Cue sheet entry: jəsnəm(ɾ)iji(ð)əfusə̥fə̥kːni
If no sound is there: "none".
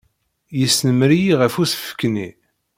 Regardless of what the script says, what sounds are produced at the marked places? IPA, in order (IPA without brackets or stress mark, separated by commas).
ɾ, ʁ